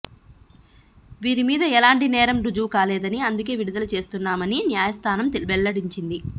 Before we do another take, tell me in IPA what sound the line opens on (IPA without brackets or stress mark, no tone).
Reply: ʋ